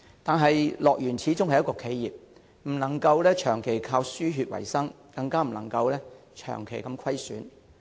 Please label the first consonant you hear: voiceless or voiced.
voiceless